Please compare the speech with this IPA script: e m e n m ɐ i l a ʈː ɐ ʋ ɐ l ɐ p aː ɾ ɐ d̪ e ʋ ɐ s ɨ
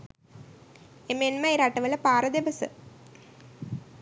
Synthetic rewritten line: e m e n m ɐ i ɾ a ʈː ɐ ʋ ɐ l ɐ p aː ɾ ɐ d̪ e ʋ ɐ s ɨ

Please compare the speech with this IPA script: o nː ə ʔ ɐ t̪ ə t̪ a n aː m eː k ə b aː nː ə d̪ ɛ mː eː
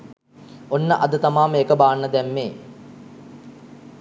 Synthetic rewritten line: o nː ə ʔ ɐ d̪ ə t̪ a m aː m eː k ə b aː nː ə d̪ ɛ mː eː

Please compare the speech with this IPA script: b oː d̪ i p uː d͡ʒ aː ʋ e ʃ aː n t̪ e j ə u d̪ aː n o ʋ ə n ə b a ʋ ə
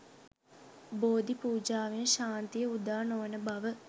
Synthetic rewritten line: b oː d̪ i p uː d͡ʒ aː ʋ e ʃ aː n t̪ i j ə u d̪ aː n o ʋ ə n ə b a ʋ ə

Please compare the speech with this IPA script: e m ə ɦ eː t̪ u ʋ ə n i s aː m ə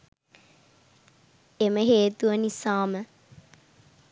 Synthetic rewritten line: e m ə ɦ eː t̪ u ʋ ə n i s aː m ə

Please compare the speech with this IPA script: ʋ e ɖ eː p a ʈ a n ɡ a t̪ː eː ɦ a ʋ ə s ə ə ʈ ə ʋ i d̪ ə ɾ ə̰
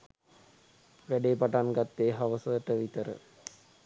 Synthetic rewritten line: ʋ æ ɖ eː p a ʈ a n ɡ a t̪ː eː ɦ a ʋ ə s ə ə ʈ ə ʋ i t̪ ə ɾ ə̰

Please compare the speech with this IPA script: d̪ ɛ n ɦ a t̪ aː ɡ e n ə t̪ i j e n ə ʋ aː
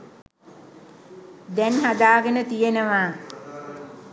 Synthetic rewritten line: d̪ ɛ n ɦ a d̪ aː ɡ e n ə t̪ i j e n ə ʋ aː

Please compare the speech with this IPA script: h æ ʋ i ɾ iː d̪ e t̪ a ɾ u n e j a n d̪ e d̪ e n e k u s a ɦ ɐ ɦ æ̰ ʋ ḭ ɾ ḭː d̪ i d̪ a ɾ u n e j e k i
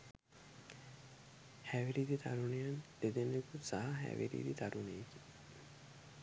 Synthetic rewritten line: h æ ʋ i ɾ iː d̪ i t̪ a ɾ u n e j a n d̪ e d̪ e n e k u s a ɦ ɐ ɦ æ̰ ʋ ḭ ɾ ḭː d̪ i t̪ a ɾ u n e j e k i

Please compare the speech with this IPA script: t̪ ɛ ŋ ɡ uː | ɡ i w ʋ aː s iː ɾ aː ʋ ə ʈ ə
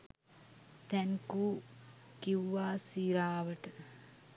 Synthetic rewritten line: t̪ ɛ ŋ k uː | k i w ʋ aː s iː ɾ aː ʋ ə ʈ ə

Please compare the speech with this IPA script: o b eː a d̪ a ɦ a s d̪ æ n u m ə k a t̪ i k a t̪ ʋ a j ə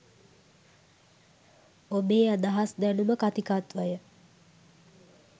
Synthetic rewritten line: o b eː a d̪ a ɦ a s d̪ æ n u m ə k a t̪ i k a t̪ ʋ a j ə

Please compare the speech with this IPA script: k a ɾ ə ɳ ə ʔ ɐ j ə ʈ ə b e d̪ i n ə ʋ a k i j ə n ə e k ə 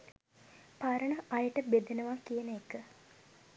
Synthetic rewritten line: p a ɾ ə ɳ ə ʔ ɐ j ə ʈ ə b e d̪ e n ə ʋ a k i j ə n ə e k ə

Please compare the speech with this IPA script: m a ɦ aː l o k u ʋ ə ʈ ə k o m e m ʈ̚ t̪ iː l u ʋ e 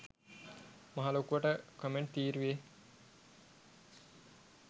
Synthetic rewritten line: m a ɦ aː l o k u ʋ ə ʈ ə k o m e ɳ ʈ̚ t̪ iː ɾ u ʋ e

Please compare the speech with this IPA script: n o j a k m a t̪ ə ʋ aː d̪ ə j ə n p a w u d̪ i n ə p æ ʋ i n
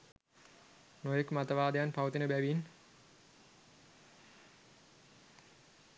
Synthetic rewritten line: n o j e k m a t̪ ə ʋ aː d̪ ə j a n p a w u t̪ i n ə b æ ʋ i n

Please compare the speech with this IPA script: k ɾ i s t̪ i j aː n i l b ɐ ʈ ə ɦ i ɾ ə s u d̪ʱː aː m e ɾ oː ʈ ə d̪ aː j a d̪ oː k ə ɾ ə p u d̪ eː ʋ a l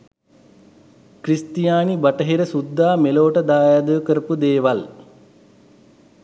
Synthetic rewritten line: k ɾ i s t̪ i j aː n i b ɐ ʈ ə ɦ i ɾ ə s u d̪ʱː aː m e l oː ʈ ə d̪ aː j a d̪ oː k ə ɾ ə p u d̪ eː ʋ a l

